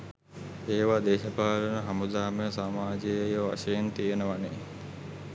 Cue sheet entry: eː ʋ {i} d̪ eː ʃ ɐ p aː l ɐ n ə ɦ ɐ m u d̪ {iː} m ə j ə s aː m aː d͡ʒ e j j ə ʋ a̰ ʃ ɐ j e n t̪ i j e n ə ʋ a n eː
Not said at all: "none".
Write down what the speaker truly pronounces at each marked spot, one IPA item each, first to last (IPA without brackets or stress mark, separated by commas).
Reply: a, aː